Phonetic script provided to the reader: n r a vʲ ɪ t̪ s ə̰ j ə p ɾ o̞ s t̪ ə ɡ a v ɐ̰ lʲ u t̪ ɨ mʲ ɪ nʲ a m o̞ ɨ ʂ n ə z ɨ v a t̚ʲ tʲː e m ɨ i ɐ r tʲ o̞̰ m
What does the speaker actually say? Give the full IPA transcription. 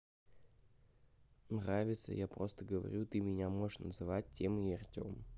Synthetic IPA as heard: n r a vʲ ɪ t̪ s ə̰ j a p ɾ o̞ s t̪ ə ɡ ə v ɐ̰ ɾʲ u t̪ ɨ mʲ ɪ nʲ a m o̞ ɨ ʂ n ə z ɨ v a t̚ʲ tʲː e m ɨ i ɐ r tʲ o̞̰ m